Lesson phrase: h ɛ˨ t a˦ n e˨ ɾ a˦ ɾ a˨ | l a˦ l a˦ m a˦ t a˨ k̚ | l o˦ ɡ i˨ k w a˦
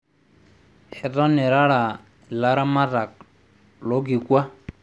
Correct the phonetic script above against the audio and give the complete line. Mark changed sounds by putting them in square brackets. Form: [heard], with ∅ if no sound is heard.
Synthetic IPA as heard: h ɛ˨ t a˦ n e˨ ɾ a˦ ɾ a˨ | l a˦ [ɾ] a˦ m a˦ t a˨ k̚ | l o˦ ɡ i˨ k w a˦